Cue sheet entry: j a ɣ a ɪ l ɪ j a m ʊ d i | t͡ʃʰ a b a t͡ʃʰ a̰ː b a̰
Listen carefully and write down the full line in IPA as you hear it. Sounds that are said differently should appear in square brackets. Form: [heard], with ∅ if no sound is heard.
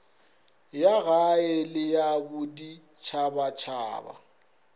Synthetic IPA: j a ɣ a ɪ l ɪ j a [b] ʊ d i | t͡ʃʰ a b a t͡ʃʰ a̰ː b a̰